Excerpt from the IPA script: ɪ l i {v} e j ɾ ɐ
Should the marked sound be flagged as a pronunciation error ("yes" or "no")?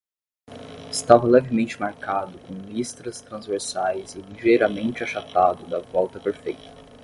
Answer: yes